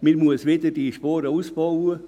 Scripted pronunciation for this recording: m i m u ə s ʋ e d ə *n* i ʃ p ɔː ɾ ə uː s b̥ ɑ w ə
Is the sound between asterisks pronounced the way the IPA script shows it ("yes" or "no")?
no